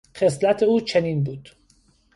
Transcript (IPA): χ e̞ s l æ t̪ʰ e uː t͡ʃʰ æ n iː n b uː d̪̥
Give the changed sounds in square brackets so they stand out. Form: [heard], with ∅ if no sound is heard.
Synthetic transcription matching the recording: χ e̞ s l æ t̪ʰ e uː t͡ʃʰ [e] n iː n b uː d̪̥